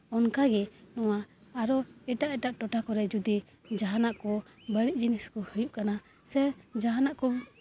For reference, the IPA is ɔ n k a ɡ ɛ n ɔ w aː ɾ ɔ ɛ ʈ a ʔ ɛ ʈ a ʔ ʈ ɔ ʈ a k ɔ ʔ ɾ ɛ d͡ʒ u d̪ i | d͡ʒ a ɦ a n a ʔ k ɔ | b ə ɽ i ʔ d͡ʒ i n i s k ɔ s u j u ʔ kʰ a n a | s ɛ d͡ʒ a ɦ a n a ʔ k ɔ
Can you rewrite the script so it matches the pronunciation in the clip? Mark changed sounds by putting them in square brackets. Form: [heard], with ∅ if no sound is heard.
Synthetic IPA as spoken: ɔ n k a ɡ ɛ n ɔ w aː ɾ ɔ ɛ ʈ a ʔ ɛ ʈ a ʔ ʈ ɔ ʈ a k ɔ [∅] ɾ ɛ d͡ʒ u d̪ i | d͡ʒ a ɦ a n a ʔ k ɔ | b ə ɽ i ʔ d͡ʒ i n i s k ɔ [h] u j u ʔ [k] a n a | s ɛ d͡ʒ a ɦ a n a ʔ k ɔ